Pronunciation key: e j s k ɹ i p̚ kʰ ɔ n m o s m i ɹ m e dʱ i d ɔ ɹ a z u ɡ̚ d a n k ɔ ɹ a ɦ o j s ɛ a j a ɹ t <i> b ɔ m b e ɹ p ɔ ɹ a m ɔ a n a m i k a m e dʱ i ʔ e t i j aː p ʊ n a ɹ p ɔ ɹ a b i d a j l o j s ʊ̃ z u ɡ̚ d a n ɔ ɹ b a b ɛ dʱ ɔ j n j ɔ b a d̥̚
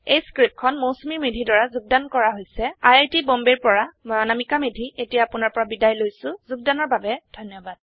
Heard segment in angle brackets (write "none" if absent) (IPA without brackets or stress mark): i